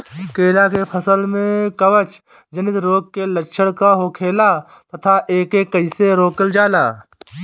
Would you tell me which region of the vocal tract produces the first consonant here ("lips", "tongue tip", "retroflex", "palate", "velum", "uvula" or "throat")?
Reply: velum